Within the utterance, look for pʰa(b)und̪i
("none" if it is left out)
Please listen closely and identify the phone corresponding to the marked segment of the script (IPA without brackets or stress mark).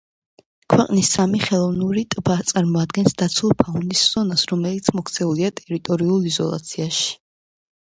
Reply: none